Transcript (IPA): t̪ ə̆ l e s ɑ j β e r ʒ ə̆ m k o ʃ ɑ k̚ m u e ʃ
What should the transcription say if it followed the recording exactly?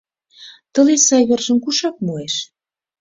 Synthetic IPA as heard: t̪ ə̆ l e s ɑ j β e r ʒ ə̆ m k u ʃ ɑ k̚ m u e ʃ